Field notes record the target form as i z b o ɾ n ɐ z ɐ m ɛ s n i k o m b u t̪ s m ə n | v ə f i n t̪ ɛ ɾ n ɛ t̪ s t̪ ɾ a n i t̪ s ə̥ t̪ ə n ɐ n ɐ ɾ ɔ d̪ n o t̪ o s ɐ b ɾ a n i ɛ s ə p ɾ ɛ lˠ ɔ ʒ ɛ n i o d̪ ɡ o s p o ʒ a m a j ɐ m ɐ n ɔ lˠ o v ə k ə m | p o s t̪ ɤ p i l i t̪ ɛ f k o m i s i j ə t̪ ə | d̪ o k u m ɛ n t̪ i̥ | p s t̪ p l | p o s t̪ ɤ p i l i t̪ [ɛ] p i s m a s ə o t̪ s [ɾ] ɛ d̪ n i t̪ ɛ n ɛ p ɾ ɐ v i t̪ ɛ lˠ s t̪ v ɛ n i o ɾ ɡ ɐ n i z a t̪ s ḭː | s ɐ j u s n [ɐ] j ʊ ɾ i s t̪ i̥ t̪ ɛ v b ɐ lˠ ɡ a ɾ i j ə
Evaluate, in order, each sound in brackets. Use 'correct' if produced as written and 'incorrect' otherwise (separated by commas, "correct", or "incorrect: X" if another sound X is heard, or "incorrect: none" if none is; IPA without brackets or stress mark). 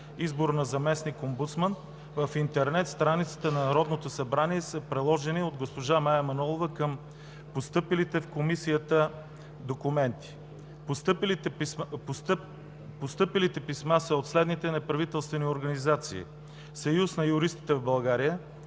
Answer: correct, incorrect: l, correct